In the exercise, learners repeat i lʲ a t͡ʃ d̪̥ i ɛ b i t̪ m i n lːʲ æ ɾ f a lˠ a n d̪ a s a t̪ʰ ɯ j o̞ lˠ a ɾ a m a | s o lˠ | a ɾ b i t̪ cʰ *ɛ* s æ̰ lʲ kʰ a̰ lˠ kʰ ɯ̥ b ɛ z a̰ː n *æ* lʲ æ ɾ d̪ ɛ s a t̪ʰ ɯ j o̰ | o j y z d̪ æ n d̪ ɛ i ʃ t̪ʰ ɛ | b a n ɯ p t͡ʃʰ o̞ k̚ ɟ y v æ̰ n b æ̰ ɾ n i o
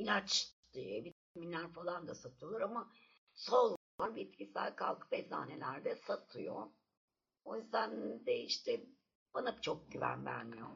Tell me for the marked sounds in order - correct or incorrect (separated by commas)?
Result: incorrect, incorrect